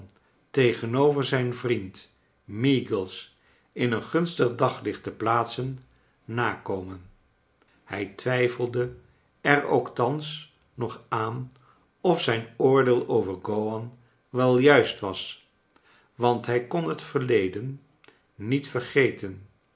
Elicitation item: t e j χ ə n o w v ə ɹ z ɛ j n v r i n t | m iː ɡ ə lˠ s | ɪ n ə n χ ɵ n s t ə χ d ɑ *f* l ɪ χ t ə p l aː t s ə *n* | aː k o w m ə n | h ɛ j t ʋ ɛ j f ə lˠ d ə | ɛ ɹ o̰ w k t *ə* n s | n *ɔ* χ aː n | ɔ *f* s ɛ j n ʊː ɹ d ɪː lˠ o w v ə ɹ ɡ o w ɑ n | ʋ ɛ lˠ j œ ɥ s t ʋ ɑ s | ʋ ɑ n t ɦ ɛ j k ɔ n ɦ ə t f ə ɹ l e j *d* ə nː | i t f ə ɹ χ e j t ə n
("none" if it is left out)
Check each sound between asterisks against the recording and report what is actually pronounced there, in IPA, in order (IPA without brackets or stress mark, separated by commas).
χ, nː, ɑ, ɔ, f, d